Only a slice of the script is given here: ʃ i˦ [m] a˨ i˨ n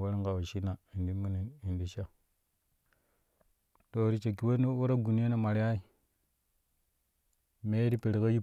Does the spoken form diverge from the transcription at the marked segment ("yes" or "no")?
yes